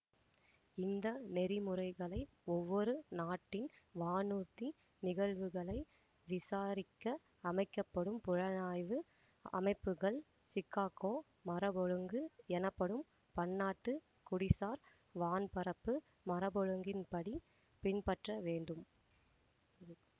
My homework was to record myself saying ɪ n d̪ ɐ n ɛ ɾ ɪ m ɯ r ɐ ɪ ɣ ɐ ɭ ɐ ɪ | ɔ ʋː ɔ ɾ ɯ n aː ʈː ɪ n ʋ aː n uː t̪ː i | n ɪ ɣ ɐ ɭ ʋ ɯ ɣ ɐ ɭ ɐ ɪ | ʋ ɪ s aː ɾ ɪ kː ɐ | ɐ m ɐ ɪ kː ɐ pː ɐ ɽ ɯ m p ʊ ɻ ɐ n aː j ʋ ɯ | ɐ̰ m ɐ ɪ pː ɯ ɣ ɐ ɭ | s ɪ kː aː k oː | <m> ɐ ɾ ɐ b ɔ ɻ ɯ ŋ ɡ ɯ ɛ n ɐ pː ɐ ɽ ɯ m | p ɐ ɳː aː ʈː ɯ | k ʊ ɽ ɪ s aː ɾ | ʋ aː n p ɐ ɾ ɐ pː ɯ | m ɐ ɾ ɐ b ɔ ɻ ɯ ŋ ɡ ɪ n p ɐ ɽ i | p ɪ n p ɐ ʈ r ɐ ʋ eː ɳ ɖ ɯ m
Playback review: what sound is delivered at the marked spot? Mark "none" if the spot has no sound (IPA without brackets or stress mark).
m